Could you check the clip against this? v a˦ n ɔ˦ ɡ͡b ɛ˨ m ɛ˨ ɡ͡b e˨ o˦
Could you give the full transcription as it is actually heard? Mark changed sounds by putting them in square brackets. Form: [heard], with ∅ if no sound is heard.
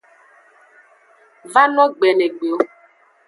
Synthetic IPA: v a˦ n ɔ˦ ɡ͡b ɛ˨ [n] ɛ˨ ɡ͡b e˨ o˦